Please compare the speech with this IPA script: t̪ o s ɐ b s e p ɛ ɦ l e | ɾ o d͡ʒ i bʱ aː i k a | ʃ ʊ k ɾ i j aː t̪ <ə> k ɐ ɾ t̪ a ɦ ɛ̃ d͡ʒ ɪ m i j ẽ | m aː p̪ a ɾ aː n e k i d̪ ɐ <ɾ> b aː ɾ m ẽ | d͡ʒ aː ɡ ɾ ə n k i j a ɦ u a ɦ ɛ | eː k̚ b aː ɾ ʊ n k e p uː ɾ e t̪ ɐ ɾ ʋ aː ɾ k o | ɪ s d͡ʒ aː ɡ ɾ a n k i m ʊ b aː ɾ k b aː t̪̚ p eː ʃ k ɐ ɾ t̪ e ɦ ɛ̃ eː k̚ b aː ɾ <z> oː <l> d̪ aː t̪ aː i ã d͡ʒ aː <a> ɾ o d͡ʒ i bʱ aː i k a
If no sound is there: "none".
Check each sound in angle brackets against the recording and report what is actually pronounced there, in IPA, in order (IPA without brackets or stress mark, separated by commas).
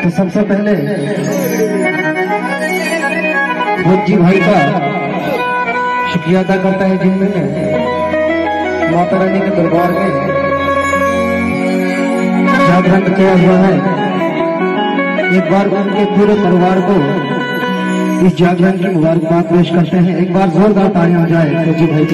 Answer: a, ɾ, z, ɾ, e